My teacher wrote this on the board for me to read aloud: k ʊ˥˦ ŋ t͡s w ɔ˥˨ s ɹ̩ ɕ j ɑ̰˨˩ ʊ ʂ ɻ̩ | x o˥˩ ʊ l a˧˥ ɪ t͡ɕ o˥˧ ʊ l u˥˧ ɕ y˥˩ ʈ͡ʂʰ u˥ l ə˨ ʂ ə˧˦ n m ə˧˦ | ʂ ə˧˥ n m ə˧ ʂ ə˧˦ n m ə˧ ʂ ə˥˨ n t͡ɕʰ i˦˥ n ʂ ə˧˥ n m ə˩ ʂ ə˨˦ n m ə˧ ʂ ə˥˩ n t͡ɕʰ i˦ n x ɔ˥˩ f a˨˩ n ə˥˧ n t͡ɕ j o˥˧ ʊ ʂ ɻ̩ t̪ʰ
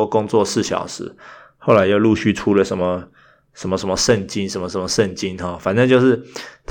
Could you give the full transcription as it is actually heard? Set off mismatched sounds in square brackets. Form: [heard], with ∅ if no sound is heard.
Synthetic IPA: k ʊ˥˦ ŋ t͡s w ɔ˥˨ s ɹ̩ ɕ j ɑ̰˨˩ ʊ ʂ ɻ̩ | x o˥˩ ʊ l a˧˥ ɪ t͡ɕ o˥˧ ʊ l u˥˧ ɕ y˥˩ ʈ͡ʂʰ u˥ l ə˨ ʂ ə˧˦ n m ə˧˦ | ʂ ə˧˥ n m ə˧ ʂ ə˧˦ n m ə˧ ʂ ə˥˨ n [t͡ɕ] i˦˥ n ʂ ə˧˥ n m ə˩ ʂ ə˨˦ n m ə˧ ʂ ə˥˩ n [t͡ɕ] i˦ n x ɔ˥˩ f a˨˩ n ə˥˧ n t͡ɕ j o˥˧ ʊ ʂ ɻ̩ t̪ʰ